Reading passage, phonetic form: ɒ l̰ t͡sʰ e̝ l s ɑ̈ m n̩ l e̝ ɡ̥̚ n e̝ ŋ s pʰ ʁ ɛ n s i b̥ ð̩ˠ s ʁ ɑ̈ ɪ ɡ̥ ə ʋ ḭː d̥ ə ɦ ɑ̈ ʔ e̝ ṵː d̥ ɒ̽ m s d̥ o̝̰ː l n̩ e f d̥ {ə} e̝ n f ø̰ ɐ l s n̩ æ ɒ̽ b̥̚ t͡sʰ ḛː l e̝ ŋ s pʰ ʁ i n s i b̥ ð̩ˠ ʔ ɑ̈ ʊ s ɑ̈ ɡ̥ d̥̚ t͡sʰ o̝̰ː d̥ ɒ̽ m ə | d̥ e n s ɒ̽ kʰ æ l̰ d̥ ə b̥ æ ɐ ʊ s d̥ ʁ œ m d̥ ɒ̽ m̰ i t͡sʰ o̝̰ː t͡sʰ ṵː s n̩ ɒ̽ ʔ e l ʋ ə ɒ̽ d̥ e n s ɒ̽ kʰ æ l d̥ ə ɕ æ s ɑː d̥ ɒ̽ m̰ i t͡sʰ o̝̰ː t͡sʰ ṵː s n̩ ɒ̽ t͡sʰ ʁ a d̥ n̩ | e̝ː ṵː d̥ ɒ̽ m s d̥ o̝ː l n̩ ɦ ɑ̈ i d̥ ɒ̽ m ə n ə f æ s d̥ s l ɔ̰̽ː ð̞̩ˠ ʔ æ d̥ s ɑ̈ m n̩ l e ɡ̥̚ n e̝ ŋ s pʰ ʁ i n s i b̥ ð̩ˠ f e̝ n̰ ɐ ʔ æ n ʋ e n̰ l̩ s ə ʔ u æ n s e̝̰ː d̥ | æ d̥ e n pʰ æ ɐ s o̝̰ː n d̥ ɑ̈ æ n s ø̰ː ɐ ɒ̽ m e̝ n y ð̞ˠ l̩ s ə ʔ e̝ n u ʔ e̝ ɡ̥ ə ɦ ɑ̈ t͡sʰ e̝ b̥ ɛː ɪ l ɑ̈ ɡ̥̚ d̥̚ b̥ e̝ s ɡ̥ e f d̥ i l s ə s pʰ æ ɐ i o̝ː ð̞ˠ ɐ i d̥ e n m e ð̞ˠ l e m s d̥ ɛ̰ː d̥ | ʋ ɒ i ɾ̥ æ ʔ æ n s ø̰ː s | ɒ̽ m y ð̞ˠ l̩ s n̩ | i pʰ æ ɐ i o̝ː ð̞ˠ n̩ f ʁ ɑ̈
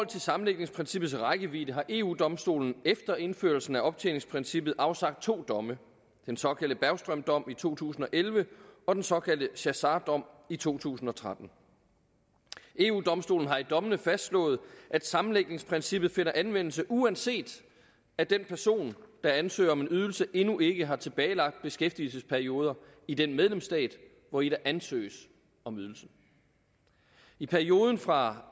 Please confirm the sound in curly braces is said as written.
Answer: no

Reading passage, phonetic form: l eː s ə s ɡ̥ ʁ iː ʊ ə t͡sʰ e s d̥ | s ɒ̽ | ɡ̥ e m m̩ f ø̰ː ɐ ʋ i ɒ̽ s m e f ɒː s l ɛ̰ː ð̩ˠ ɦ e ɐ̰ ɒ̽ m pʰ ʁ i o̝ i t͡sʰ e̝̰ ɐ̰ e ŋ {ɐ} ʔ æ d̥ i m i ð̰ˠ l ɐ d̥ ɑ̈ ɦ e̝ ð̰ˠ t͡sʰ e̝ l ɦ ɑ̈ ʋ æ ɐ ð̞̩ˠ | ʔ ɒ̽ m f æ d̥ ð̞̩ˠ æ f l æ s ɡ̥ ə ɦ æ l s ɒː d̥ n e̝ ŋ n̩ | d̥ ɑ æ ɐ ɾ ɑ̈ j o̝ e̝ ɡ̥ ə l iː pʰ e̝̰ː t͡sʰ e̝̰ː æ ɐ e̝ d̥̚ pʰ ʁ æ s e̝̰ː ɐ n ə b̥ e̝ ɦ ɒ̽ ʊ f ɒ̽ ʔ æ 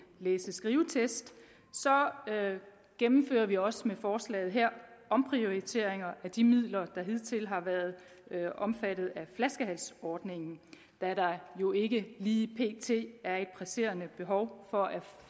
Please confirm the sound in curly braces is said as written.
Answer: yes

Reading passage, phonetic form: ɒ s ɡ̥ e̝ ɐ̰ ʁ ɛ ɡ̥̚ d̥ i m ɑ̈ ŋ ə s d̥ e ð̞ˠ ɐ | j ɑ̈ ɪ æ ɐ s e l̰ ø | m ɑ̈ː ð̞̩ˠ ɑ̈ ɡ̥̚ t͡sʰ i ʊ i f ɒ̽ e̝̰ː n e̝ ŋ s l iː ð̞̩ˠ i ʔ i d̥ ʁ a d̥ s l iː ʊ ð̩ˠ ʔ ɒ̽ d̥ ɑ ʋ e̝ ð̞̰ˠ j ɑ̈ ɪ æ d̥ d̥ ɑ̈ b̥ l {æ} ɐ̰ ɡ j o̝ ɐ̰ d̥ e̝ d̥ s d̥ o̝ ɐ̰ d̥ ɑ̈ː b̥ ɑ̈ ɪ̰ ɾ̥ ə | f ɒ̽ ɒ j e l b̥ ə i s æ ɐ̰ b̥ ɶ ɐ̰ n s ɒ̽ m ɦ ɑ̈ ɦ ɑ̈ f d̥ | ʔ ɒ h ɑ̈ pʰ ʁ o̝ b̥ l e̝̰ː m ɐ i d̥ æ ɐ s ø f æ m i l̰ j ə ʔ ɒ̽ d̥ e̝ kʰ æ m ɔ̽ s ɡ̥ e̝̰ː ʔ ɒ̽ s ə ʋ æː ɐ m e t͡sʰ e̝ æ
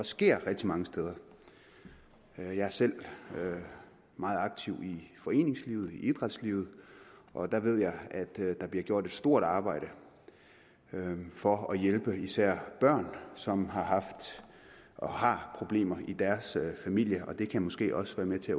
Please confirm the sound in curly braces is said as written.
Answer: no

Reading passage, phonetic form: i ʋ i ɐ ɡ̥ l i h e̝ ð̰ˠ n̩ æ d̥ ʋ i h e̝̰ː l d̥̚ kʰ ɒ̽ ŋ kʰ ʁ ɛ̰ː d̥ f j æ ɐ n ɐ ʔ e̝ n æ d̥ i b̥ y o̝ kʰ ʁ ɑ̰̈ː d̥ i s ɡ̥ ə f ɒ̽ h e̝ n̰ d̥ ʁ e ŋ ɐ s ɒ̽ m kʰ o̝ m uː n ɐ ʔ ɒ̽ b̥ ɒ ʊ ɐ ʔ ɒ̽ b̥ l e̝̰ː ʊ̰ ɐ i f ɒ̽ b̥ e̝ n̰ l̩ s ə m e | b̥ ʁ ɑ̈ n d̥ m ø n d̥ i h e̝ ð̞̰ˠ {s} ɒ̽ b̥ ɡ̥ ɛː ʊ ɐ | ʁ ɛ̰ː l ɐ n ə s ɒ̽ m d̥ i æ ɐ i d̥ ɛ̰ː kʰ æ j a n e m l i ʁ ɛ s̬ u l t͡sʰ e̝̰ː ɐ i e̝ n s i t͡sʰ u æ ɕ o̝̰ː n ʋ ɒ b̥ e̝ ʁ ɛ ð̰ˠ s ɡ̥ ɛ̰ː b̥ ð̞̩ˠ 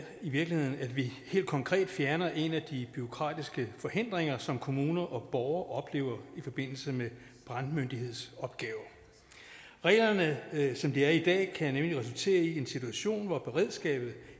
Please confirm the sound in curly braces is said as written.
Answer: yes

